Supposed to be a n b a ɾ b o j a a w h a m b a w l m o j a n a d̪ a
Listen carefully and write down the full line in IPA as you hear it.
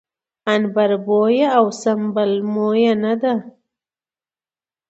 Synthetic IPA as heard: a n b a ɾ b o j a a w s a m b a l m o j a n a d̪ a